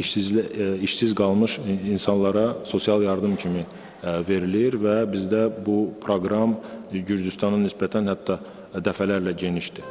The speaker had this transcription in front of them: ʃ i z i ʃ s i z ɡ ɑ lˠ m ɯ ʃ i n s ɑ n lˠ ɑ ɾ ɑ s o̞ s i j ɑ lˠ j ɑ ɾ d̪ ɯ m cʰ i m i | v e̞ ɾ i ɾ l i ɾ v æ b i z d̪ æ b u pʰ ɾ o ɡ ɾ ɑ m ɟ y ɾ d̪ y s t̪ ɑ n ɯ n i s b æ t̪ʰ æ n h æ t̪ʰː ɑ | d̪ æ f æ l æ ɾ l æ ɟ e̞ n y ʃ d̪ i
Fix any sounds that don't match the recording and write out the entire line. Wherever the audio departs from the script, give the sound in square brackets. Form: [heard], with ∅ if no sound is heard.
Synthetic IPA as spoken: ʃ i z i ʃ s i z ɡ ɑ lˠ m ɯ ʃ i n s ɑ n lˠ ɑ ɾ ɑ s o̞ s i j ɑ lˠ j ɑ ɾ d̪ ɯ m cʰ i m i | v e̞ ɾ i [∅] l i ɾ v æ b i z d̪ æ b u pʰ ɾ o ɡ ɾ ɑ m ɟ y ɾ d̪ y s t̪ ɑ n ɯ n i s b æ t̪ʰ æ n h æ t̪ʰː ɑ | d̪ æ f æ l æ ɾ l æ ɟ e̞ n [i] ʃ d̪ i